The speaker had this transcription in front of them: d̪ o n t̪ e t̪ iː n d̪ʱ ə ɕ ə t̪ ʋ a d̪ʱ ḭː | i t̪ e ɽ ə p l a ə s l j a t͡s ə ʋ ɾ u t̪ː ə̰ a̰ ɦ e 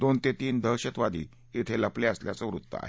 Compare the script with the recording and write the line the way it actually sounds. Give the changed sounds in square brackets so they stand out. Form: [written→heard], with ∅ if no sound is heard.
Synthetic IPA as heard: d̪ o n t̪ e t̪ iː n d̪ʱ ə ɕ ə t̪ ʋ a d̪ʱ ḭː | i [t̪→t̪ʰ] e [ɽ→l] ə p l [a→e] ə s l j a t͡s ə ʋ ɾ u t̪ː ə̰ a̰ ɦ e